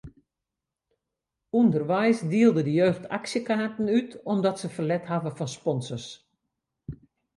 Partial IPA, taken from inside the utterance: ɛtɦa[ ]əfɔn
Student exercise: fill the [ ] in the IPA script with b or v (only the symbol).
v